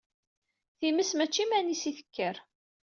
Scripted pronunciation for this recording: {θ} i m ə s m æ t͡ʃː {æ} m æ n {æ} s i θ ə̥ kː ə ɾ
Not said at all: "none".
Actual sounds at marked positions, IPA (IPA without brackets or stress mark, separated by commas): θ, i, i